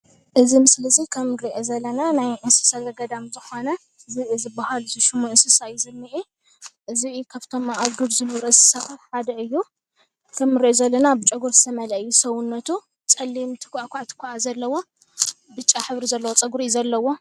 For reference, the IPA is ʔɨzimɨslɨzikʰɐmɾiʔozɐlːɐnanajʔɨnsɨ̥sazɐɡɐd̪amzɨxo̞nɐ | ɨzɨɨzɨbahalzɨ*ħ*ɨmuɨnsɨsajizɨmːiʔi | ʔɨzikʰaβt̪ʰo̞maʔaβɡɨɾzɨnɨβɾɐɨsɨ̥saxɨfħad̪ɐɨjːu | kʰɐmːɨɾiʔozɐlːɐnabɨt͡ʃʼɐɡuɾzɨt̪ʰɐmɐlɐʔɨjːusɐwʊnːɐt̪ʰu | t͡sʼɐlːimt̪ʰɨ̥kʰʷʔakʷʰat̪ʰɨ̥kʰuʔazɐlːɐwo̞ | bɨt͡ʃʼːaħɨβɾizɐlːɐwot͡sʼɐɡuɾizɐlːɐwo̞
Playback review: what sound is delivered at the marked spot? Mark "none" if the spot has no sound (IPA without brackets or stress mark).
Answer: ʃ